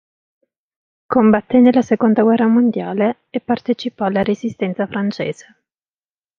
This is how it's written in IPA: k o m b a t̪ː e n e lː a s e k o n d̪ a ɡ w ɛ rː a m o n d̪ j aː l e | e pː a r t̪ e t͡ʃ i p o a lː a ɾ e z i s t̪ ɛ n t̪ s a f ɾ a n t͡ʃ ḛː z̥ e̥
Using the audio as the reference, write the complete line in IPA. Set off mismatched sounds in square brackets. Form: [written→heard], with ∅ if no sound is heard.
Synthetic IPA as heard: k o m b a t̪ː e n e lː a s e k o n d̪ a ɡ w ɛ rː a m o n d̪ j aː l e | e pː a r t̪ e t͡ʃ i p [o→ɔ] a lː a ɾ e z i s t̪ ɛ n t̪ s a f ɾ a n t͡ʃ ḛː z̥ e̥